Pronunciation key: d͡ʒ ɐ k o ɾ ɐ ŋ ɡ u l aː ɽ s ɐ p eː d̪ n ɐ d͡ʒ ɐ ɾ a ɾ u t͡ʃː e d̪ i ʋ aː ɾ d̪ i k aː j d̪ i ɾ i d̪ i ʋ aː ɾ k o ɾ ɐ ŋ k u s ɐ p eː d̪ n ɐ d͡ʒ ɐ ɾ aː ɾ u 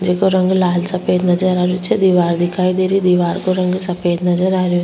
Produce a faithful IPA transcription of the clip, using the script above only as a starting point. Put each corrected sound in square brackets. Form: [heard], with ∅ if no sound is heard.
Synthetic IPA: d͡ʒ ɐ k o ɾ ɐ ŋ ɡ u l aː [l] s ɐ p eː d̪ n ɐ d͡ʒ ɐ ɾ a ɾ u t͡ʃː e d̪ i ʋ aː ɾ d̪ i k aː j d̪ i ɾ i d̪ i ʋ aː ɾ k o ɾ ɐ ŋ [ɡ] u s ɐ p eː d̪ n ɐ d͡ʒ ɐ ɾ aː ɾ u